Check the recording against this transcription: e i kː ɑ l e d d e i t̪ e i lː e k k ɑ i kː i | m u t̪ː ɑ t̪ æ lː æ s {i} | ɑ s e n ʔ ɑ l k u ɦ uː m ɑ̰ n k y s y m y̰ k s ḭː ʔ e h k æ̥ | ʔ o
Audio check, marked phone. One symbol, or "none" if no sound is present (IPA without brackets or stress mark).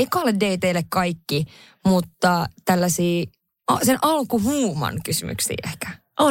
iː